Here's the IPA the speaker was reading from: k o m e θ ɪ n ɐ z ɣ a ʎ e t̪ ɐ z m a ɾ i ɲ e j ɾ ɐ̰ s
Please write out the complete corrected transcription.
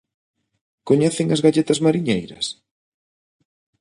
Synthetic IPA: k o ɲ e θ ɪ ŋ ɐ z ɣ a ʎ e t̪ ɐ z m a ɾ i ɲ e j ɾ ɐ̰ s